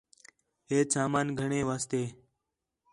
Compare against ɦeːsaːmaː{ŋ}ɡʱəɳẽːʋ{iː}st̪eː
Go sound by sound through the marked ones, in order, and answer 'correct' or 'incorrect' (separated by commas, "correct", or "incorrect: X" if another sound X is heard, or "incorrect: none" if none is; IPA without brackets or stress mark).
incorrect: n, incorrect: aː